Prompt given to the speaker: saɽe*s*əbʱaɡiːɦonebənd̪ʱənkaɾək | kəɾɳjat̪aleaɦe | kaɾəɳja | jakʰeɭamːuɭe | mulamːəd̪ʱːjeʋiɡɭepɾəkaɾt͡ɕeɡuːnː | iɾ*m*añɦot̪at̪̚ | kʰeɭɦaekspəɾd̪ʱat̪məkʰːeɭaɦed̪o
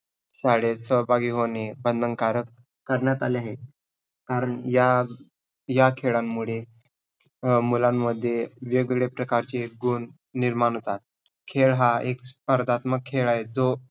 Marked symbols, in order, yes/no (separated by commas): yes, yes